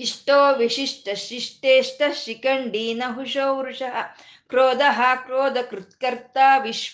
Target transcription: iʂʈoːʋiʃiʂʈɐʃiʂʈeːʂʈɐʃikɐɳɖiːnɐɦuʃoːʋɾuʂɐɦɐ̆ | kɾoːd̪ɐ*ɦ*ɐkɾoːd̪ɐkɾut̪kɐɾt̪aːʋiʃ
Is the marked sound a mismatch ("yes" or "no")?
no